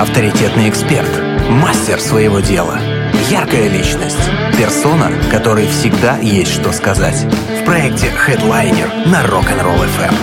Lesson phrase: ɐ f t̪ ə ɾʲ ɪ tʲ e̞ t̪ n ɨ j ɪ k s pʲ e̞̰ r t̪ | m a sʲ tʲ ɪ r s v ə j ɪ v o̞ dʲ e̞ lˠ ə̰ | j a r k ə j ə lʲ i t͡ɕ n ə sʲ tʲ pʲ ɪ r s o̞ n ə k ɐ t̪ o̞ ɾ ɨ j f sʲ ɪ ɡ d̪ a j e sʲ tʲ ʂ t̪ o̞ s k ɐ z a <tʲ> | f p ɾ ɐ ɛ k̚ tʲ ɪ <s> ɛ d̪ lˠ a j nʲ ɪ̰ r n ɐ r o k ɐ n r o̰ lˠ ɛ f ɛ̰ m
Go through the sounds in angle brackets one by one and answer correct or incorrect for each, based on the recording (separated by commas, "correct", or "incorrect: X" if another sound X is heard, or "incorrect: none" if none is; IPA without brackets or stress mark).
correct, incorrect: x